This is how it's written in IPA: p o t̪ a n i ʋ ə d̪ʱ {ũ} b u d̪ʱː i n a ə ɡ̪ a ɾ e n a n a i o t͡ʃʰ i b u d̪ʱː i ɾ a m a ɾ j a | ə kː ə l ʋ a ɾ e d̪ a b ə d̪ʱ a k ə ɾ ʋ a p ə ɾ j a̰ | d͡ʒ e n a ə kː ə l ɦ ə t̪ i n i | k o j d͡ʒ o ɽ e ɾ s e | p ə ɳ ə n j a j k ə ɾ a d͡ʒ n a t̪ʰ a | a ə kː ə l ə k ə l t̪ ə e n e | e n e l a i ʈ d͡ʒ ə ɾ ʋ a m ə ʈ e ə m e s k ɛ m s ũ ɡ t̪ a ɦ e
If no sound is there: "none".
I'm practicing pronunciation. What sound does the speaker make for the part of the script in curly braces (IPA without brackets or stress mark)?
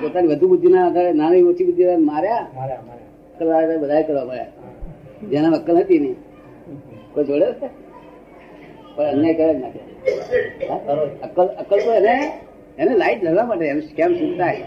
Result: u